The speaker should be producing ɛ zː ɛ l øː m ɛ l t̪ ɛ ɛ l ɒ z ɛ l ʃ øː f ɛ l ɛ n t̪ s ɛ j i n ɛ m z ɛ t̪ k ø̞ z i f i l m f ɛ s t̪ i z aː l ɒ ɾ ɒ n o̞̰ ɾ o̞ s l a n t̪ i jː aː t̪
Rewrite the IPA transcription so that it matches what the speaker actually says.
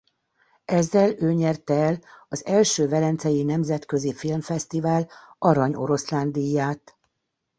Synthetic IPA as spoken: ɛ zː ɛ l øː ɲ ɛ r t̪ ɛ ɛ l ɒ z ɛ l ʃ øː v ɛ l ɛ n t̪ s ɛ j i n ɛ m z ɛ t̪ k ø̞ z i f i l m f ɛ s t̪ i v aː l ɒ ɾ ɒ ɲ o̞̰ ɾ o̞ s l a n d̪ i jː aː t̪